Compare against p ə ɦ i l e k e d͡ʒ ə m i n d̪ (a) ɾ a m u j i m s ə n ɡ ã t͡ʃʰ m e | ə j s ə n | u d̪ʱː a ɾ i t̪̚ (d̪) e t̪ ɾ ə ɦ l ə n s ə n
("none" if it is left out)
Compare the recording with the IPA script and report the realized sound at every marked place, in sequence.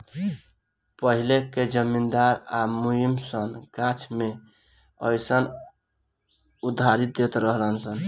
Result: a, d̪

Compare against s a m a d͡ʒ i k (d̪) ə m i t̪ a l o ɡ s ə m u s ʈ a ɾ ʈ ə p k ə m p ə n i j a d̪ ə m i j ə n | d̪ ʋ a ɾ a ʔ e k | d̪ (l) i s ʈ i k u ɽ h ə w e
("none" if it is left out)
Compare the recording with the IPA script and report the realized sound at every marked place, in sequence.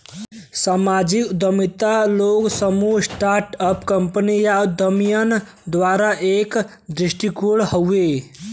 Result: d̪, ɾ

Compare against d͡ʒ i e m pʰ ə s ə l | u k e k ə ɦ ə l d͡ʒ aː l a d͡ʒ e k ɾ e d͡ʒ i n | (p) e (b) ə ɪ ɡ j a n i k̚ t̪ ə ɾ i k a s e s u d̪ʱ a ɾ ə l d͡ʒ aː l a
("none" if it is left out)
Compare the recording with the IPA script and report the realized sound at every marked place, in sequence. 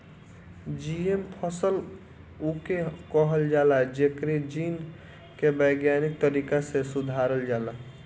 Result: k, b

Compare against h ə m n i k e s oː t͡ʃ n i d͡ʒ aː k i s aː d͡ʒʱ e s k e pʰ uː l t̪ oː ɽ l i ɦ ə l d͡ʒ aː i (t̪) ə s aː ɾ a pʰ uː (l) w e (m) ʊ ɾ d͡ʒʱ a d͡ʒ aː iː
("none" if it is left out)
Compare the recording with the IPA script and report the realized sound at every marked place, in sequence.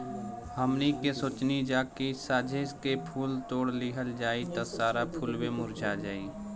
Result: t̪, l, m

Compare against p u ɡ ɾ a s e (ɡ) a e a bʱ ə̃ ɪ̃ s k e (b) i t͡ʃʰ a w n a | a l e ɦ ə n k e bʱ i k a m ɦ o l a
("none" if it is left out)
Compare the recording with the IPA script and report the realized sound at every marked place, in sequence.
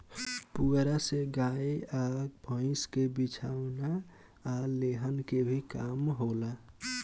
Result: ɡ, b

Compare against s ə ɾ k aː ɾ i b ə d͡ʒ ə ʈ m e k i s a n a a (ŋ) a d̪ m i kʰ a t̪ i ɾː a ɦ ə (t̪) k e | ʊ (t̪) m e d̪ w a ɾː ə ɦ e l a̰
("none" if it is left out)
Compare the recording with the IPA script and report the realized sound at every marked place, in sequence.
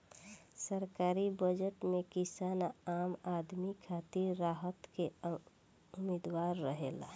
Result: m, t̪, none

